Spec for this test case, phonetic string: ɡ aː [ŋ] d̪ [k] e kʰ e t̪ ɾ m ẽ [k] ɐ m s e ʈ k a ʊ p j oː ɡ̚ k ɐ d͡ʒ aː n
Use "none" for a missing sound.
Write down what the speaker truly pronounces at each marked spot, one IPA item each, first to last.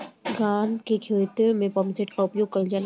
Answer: n, k, p

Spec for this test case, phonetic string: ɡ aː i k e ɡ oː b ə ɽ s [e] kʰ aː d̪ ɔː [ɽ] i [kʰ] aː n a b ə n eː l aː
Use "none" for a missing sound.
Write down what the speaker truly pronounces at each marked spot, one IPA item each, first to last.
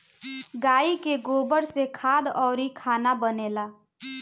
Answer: e, ɾ, kʰ

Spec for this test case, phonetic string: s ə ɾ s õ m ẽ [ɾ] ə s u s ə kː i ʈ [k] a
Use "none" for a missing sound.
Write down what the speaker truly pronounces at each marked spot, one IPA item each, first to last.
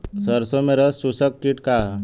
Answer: ɾ, k

